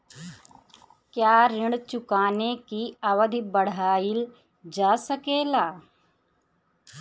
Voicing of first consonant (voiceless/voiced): voiceless